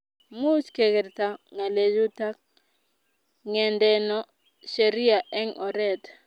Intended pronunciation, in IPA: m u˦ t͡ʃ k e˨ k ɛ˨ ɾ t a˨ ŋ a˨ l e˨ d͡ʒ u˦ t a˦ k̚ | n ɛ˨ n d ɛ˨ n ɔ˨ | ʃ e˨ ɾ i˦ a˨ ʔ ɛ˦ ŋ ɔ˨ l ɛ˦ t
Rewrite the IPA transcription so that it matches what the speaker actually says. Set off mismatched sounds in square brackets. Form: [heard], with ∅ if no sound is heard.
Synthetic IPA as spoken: m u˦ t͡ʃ k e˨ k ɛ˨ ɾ t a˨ ŋ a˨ l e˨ d͡ʒ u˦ t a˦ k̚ | [ŋ] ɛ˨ n d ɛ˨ n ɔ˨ | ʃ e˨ ɾ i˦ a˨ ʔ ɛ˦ ŋ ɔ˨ [ɾ] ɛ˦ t